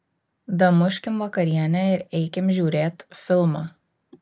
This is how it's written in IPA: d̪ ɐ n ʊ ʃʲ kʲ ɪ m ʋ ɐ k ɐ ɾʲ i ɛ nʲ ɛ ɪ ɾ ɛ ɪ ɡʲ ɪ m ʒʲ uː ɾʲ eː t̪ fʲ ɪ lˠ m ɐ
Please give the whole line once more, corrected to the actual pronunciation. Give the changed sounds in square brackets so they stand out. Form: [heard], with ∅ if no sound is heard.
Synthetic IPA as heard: d̪ ɐ [m] ʊ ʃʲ kʲ ɪ m ʋ ɐ k ɐ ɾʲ i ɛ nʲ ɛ ɪ ɾ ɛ ɪ [kʲ] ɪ m ʒʲ uː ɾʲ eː t̪ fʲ ɪ lˠ m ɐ